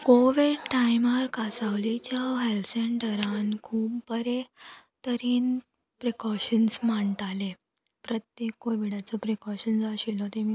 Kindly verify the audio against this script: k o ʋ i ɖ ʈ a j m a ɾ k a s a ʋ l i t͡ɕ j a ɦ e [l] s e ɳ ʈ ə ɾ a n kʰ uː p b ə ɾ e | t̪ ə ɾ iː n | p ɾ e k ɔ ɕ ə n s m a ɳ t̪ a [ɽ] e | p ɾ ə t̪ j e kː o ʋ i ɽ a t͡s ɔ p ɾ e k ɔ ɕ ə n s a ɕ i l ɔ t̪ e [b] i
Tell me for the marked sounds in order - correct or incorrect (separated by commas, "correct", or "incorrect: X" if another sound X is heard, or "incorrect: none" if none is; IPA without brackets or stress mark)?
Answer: correct, incorrect: l, incorrect: m